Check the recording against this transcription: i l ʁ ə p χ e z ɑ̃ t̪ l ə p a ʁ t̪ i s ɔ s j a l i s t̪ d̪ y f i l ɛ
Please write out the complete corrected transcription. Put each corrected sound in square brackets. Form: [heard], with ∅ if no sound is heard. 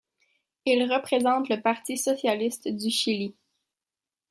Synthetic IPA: i l ʁ ə p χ e z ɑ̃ t̪ l ə p a ʁ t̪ i s ɔ s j a l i s t̪ d̪ y [ʃ] i l [i]